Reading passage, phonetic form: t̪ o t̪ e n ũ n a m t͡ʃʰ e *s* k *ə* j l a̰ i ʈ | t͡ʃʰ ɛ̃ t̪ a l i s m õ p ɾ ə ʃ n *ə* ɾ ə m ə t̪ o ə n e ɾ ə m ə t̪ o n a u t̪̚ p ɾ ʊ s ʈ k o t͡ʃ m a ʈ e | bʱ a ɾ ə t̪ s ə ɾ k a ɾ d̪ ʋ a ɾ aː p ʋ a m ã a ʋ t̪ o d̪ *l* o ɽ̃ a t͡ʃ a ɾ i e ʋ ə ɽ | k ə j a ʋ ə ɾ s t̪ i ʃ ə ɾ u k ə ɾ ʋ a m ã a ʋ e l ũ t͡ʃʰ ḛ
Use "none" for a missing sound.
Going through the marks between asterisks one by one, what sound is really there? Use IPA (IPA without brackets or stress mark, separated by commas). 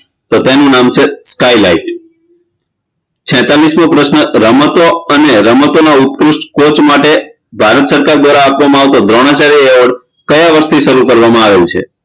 s, a, ə, ɾ